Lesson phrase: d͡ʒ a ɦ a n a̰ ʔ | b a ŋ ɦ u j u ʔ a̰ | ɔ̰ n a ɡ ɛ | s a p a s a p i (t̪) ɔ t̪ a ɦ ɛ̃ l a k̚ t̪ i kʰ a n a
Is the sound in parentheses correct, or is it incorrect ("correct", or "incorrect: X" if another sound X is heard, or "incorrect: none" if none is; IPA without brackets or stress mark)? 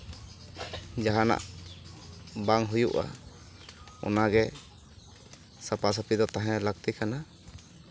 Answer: incorrect: d̪